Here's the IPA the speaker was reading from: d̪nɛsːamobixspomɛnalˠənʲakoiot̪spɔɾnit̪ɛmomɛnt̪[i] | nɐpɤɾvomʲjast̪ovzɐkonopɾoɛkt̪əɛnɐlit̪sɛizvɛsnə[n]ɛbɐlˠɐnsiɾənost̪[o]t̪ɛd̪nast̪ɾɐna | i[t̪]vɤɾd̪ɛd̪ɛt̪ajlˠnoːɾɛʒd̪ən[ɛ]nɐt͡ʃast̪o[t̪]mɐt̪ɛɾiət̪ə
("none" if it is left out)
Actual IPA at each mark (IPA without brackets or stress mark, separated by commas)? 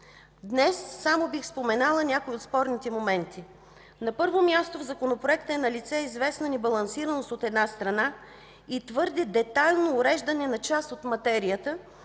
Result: i, n, o, t̪, ɛ, t̪